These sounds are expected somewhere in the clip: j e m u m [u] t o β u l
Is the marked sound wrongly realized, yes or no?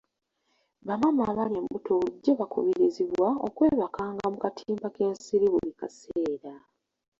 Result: no